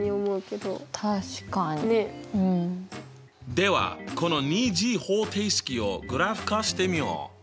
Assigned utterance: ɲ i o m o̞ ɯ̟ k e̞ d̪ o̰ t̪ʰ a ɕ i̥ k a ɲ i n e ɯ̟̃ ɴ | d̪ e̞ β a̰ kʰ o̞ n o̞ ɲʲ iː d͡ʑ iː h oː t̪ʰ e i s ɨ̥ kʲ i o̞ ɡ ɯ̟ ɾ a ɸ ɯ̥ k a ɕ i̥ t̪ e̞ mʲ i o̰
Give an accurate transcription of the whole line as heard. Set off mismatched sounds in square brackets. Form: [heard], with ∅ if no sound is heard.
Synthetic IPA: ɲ i o m o̞ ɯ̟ k e̞ d̪ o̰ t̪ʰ a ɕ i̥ k a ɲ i n e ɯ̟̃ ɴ | d̪ e̞ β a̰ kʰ o̞ n o̞ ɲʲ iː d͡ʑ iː h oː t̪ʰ e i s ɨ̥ kʲ i o̞ ɡ ɯ̟ ɾ a ɸ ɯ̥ k a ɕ i̥ t̪ e̞ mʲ i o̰